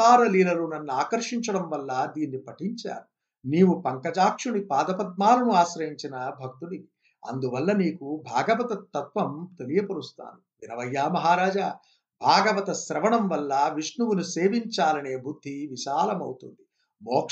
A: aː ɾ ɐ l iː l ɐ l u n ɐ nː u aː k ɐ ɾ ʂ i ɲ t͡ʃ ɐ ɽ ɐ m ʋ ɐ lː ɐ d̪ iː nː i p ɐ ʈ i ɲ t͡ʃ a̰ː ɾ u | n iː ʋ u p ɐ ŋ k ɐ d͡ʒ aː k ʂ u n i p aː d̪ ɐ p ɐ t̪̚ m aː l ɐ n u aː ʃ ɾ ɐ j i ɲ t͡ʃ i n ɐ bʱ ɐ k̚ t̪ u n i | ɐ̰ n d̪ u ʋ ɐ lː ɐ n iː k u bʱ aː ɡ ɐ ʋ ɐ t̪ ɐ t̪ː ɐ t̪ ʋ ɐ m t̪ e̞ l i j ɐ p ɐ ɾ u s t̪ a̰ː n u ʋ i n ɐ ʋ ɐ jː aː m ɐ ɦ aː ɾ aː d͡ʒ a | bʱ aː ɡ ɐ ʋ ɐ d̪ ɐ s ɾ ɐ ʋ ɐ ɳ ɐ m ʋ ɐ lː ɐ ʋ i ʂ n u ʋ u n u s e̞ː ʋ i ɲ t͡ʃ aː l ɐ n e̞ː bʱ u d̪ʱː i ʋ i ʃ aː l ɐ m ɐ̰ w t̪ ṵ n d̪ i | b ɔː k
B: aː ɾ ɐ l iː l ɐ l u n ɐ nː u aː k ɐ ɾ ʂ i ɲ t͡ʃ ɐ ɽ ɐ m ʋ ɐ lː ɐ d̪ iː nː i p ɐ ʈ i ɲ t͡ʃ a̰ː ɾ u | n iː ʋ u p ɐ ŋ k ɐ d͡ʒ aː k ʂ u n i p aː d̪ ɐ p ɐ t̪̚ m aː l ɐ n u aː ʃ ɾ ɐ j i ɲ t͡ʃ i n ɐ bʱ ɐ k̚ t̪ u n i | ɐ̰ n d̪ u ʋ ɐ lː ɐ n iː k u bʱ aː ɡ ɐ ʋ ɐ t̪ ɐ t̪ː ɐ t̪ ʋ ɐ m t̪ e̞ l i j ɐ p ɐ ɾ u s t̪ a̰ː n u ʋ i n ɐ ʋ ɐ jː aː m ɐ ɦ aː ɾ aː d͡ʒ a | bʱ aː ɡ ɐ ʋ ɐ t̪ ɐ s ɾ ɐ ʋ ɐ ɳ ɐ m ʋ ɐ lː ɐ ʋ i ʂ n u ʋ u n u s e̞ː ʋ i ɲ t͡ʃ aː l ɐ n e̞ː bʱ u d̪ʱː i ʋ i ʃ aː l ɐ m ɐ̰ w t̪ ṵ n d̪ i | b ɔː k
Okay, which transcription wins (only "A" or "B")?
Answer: B